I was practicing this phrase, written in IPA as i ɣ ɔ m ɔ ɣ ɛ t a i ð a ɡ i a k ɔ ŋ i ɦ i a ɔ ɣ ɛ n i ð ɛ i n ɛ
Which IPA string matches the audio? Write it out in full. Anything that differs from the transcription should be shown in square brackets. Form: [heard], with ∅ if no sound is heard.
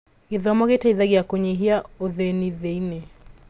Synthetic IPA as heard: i [ð] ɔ m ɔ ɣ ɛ t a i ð a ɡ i a k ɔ [ɲ] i ɦ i a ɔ [ð] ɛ n i ð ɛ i n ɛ